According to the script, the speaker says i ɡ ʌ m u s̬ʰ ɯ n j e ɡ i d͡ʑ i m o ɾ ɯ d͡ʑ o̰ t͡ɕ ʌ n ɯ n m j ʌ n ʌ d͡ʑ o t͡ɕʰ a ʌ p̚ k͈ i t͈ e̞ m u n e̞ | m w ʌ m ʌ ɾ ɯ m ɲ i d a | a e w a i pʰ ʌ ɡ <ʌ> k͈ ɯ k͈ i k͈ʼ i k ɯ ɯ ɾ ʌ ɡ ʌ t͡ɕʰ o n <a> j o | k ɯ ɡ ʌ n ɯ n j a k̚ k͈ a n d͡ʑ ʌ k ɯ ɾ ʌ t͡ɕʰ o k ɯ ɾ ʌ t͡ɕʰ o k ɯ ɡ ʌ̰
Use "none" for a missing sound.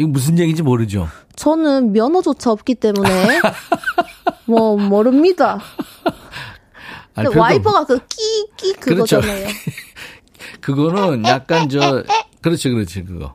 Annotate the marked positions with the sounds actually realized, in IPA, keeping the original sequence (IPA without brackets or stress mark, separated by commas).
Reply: a, a